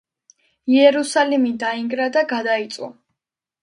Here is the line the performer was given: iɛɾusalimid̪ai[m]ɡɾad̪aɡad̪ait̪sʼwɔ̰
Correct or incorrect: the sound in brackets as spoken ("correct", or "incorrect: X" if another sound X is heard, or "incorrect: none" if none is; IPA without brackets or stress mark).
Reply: incorrect: ŋ